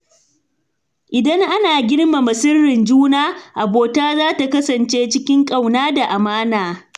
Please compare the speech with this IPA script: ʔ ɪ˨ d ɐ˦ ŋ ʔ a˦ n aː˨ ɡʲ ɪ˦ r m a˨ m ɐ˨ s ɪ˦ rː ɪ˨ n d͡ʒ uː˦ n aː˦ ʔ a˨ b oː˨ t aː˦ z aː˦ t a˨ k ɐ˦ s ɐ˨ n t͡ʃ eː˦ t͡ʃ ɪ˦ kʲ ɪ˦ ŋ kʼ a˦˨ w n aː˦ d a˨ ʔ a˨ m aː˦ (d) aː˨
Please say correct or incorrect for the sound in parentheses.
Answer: incorrect: n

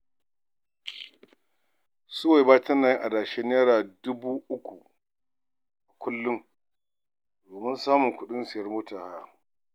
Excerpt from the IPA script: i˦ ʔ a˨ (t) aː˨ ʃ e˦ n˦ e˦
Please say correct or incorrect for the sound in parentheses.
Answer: incorrect: d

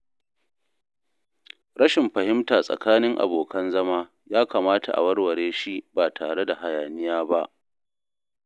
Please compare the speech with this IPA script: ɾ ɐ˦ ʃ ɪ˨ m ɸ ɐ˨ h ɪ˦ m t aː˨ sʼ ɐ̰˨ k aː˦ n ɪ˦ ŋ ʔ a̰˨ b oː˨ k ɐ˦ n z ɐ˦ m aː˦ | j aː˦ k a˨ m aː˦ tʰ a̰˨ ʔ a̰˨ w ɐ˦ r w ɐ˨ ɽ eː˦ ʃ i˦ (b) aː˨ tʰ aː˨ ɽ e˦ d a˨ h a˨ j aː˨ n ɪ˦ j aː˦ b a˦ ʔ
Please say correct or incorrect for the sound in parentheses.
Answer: correct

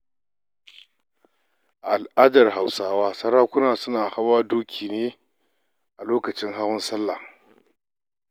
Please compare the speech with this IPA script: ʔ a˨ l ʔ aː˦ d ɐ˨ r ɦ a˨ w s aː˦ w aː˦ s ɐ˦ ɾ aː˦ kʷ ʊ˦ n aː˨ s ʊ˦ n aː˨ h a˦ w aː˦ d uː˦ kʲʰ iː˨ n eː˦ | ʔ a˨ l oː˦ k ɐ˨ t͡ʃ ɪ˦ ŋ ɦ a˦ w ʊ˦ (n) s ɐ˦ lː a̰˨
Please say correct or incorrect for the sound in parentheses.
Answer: correct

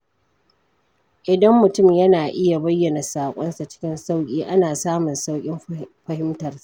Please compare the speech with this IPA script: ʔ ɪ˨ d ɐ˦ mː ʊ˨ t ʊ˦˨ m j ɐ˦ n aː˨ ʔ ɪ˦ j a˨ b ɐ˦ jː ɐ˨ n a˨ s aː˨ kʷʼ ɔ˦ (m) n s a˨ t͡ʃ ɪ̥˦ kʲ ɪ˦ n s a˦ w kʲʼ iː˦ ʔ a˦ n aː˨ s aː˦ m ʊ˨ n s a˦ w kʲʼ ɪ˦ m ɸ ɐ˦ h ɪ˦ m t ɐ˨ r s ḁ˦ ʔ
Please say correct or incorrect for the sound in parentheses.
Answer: incorrect: none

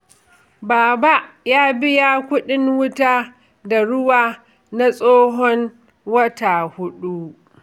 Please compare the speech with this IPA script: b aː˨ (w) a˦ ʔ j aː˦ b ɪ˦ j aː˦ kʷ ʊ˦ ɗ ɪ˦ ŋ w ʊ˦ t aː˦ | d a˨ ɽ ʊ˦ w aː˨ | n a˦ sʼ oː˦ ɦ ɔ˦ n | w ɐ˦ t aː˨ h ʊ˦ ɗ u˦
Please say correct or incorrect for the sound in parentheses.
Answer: incorrect: b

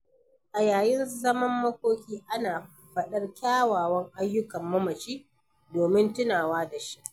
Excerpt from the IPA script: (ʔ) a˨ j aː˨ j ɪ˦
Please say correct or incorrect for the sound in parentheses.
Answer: correct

